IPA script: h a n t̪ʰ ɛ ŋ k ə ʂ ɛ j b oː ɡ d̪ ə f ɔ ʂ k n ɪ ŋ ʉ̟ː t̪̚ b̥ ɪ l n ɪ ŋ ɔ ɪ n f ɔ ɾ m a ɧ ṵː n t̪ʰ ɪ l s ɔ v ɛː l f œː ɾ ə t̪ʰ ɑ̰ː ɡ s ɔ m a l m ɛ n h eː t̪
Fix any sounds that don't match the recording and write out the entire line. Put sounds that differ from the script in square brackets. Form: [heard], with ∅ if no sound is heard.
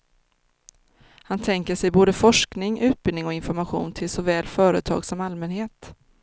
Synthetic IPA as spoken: h a n t̪ʰ ɛ ŋ k ə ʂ ɛ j b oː [∅] d̪ ə f ɔ ʂ k n ɪ ŋ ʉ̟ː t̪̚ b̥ ɪ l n ɪ ŋ ɔ ɪ n f ɔ ɾ m a ɧ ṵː n t̪ʰ ɪ l s ɔ v ɛː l f œː ɾ ə t̪ʰ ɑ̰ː ɡ s ɔ m a l m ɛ n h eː t̪